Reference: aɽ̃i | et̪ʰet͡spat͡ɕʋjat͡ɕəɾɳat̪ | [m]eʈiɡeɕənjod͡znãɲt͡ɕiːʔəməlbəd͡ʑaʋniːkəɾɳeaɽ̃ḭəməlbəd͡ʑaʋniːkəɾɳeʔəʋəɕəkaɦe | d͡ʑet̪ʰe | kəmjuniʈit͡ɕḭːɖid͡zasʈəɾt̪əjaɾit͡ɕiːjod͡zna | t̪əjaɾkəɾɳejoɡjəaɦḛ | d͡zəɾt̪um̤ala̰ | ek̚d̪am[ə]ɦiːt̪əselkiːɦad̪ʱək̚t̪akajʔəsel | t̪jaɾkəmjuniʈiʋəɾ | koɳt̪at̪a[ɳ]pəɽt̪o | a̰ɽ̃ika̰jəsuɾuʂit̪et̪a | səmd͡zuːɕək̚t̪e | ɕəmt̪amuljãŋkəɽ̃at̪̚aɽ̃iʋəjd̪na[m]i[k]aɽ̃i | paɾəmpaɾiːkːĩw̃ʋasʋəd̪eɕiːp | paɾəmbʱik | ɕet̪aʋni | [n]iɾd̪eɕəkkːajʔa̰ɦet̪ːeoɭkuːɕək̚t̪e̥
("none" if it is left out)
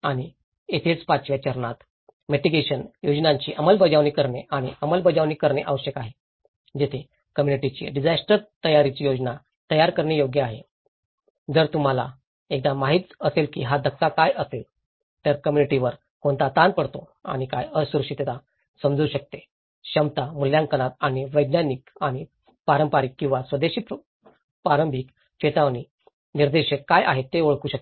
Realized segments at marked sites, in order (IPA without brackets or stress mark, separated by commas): m, a, n, n, k, n